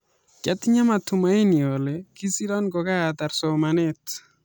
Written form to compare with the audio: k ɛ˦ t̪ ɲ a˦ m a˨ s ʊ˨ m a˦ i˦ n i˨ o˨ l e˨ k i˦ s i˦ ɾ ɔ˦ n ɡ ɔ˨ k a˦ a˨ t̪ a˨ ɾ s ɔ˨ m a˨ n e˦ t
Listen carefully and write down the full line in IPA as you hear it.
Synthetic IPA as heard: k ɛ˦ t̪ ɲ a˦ m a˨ t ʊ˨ m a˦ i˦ n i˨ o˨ l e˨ k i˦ s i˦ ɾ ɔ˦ n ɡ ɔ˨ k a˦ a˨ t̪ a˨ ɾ s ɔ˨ m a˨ n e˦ t

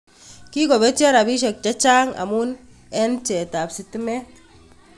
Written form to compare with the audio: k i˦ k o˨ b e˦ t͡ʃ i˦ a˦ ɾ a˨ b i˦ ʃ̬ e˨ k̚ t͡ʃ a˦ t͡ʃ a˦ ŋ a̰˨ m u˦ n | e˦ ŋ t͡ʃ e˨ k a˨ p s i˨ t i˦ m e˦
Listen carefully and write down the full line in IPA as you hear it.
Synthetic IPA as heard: k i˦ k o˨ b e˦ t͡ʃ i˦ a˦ ɾ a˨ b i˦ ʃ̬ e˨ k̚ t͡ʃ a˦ t͡ʃ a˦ ŋ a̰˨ m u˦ n | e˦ n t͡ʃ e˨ t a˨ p s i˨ t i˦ m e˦

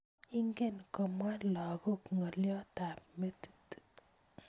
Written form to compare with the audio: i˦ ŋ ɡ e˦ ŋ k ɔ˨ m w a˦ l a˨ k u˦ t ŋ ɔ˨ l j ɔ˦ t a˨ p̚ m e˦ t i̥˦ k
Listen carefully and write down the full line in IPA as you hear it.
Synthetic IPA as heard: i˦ ŋ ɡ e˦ n k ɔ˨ m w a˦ l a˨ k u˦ k ŋ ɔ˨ l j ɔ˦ t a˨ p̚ m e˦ t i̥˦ t

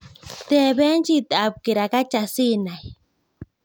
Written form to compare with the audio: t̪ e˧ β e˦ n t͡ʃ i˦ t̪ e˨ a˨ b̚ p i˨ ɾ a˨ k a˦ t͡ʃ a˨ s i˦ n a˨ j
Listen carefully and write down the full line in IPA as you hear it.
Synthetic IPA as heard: t̪ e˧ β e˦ n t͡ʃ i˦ t̪ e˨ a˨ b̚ k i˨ ɾ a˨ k a˦ t͡ʃ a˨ s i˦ n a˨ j

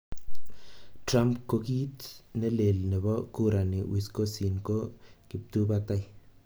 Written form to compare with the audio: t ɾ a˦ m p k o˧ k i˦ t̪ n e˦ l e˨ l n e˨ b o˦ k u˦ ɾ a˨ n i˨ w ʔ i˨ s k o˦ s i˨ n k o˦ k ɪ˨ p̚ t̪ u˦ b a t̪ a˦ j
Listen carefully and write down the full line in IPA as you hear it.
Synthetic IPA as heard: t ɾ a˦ m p k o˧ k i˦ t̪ n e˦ l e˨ l n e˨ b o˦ k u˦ ɾ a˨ n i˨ w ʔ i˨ s k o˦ s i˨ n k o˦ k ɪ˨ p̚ t̪ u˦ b a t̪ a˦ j

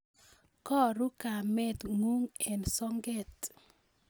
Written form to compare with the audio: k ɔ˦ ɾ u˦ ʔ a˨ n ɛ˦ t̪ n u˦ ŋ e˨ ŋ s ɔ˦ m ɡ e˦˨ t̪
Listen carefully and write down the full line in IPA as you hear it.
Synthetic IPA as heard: k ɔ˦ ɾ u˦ k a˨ m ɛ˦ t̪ ŋ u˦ ŋ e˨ n s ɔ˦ ŋ ɡ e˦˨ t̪

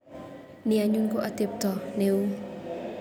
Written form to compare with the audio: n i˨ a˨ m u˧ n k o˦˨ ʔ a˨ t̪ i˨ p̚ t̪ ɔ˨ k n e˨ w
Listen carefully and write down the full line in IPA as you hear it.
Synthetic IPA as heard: n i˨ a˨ ɲ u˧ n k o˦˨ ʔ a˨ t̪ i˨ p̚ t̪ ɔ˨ n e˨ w

